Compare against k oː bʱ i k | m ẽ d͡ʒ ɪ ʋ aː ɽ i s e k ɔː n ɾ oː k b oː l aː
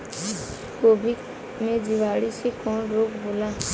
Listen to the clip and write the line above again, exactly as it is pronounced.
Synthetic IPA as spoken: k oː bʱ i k | m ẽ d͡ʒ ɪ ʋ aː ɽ i s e k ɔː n ɾ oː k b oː l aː